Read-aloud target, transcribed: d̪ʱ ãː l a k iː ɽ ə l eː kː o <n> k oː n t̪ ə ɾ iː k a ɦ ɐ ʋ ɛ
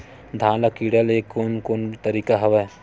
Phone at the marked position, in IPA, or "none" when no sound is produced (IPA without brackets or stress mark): n